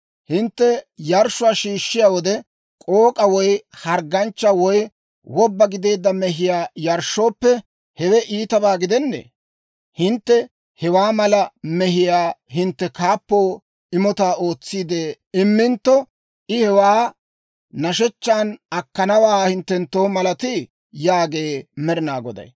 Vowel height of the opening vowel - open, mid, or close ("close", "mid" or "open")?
close